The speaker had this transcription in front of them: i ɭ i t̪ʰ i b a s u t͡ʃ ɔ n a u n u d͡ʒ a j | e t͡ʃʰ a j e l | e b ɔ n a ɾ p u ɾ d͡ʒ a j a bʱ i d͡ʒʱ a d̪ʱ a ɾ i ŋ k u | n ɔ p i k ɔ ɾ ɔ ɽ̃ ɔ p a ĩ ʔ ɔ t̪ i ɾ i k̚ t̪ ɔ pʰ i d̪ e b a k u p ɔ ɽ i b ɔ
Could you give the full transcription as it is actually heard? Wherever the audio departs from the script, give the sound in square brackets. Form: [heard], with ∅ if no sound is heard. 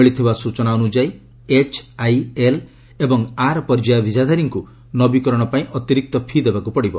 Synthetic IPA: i ɭ i t̪ʰ i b a s u t͡ʃ ɔ n a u n u d͡ʒ a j | e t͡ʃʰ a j e l | e b ɔ [ŋ] a ɾ p [ɔ] ɾ d͡ʒ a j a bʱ i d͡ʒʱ a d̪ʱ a ɾ i ŋ k u | n ɔ [b] i k ɔ ɾ ɔ ɽ̃ ɔ p a ĩ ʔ ɔ t̪ i ɾ i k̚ t̪ ɔ pʰ i d̪ e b a k u p ɔ ɽ i b ɔ